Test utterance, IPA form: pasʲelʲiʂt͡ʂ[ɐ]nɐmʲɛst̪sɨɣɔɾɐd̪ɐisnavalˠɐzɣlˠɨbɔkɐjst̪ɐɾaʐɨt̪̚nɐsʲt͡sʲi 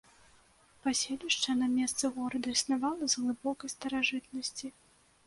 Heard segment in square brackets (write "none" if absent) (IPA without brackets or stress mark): ɐ